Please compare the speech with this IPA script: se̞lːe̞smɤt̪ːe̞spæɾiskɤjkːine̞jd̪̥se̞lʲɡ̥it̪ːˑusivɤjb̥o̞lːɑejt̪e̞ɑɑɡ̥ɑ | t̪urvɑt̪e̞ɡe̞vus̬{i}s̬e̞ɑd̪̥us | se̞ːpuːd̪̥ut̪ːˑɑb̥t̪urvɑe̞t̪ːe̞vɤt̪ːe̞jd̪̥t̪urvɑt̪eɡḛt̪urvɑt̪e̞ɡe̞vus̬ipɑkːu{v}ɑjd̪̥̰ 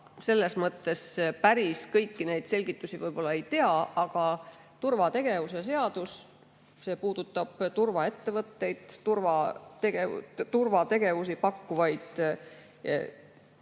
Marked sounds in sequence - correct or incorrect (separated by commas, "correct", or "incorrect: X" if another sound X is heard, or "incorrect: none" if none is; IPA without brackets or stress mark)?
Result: incorrect: e, correct